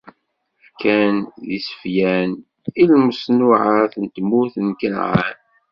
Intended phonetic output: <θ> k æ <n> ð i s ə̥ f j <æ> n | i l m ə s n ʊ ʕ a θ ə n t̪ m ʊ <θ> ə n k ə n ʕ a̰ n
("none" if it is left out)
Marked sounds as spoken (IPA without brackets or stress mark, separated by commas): f, n, æ, θ